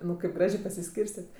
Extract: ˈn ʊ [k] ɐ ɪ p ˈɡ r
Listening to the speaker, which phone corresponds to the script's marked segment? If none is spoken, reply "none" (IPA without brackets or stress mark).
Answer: k